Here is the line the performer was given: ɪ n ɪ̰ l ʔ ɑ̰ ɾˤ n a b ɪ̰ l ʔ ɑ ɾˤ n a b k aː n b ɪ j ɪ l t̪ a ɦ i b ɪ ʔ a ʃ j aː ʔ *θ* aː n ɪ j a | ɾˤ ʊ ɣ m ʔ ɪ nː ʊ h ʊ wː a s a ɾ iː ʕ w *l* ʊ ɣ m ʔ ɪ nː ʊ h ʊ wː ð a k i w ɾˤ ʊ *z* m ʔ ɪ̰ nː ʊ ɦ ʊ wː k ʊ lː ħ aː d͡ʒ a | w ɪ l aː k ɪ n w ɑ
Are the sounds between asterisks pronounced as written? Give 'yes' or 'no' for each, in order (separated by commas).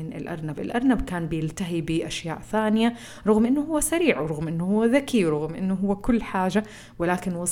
yes, no, no